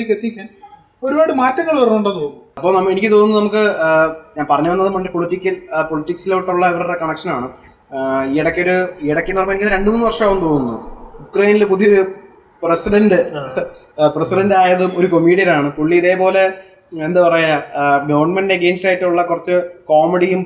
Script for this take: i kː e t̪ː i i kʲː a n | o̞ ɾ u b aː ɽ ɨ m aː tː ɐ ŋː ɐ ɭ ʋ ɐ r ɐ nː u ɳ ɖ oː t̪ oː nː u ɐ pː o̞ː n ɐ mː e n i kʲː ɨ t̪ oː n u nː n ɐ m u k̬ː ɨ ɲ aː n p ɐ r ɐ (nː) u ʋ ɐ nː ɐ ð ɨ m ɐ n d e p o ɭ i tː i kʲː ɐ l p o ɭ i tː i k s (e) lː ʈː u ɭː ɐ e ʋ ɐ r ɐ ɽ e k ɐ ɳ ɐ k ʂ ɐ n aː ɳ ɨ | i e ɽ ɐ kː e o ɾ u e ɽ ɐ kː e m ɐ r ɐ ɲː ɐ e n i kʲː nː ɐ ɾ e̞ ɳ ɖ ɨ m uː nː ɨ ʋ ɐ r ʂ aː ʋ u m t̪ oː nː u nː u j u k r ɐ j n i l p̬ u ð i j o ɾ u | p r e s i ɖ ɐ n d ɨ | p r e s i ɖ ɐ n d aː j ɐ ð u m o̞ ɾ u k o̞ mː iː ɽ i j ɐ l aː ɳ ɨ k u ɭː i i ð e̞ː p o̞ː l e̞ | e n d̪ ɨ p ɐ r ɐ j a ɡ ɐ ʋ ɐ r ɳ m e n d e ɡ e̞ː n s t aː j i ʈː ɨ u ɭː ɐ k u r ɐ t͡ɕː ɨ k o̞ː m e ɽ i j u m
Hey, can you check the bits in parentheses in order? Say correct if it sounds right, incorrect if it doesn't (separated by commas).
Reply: incorrect, incorrect